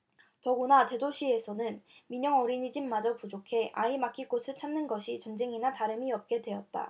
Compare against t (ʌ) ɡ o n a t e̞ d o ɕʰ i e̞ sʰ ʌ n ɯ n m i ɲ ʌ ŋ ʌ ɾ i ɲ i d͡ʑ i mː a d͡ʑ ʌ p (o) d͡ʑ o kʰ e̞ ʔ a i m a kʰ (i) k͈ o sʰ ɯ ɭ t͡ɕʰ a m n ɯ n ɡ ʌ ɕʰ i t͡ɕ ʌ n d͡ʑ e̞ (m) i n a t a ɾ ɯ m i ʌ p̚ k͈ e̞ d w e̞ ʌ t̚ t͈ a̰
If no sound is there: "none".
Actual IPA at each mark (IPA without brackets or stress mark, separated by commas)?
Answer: ʌ, u, i, ŋ